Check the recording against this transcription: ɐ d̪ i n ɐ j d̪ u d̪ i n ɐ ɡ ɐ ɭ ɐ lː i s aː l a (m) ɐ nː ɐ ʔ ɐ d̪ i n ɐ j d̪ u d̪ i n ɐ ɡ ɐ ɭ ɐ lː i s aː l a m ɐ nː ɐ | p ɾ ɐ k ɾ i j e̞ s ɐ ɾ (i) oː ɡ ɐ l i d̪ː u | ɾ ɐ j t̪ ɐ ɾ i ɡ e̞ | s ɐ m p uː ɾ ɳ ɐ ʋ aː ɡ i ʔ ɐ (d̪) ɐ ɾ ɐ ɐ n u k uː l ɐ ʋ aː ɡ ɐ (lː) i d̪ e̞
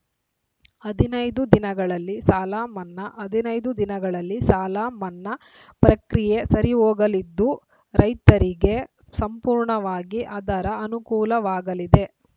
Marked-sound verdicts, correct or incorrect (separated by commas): correct, correct, correct, incorrect